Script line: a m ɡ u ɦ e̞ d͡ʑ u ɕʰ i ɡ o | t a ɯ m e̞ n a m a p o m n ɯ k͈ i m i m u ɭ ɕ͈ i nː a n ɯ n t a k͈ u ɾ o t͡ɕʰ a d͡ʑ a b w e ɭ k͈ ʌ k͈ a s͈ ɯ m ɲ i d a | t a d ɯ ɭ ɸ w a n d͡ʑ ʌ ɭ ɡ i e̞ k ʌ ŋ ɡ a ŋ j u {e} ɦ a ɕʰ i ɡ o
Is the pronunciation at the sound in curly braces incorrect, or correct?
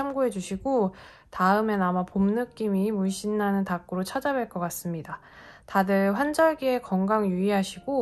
incorrect